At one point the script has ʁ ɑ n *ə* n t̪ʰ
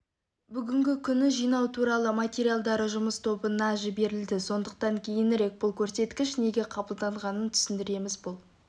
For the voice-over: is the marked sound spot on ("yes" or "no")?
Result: yes